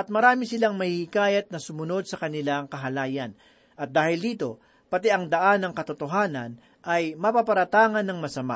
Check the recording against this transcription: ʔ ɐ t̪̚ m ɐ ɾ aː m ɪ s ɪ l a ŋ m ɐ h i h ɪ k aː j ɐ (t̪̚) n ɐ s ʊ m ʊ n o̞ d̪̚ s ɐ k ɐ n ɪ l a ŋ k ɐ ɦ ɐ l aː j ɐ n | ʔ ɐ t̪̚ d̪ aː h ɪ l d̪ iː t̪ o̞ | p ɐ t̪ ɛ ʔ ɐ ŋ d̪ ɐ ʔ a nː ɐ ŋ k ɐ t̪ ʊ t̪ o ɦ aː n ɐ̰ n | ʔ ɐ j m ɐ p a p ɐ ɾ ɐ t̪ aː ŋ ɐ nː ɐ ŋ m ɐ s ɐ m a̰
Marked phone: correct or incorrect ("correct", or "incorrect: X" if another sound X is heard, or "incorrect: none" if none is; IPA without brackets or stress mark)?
correct